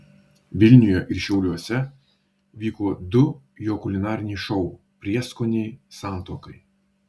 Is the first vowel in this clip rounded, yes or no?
no